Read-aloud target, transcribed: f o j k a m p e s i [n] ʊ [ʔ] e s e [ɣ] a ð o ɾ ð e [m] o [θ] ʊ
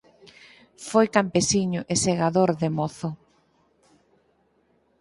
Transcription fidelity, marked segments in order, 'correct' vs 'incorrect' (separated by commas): incorrect, correct, correct, correct, correct